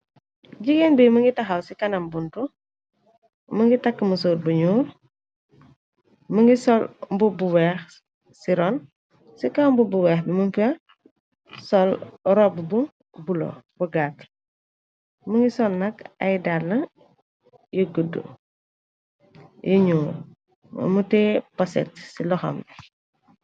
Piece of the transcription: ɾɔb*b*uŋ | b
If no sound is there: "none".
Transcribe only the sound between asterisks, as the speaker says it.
b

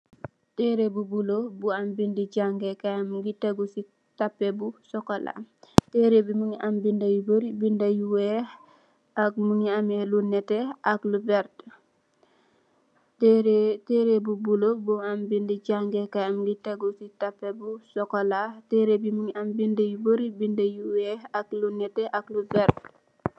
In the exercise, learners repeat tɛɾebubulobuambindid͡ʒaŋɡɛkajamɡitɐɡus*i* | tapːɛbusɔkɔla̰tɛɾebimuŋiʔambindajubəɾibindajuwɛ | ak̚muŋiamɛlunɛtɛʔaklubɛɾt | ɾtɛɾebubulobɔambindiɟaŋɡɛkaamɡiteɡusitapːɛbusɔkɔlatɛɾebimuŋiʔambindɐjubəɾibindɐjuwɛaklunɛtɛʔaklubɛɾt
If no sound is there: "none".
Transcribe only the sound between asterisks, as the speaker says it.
i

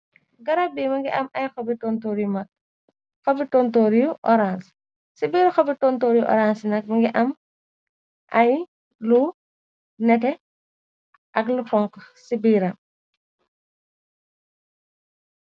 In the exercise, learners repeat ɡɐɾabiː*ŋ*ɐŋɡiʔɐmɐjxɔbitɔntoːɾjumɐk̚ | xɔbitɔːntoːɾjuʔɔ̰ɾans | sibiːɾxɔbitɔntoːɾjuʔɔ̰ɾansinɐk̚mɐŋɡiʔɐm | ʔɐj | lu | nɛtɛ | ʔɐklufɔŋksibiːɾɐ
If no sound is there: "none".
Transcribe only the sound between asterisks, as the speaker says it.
m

